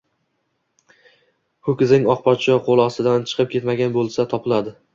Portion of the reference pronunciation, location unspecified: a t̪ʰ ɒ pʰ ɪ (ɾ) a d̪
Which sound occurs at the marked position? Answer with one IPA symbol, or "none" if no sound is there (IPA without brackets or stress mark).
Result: l